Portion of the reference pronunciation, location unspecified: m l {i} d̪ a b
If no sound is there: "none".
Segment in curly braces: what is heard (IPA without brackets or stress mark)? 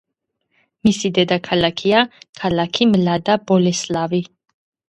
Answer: a